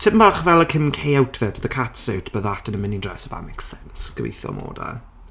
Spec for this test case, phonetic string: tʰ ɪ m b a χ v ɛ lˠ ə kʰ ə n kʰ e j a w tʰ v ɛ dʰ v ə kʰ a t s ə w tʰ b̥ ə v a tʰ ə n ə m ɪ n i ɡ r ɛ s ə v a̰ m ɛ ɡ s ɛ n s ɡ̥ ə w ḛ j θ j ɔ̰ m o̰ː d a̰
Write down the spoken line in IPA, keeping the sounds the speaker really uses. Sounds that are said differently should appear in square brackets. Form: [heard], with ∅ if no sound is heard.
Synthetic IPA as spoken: tʰ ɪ m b a χ v ɛ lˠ ə kʰ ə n kʰ e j a w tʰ v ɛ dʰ [ð] ə kʰ a t s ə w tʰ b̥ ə [ð] a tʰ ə n ə m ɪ n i [d] r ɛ s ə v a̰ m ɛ [k] s ɛ n s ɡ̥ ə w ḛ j θ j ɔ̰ m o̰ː d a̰